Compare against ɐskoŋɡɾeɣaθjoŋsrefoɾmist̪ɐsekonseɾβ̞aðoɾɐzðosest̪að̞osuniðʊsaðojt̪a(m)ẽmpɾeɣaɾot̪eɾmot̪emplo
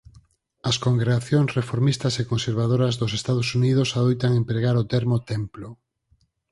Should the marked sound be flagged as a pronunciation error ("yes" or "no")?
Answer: yes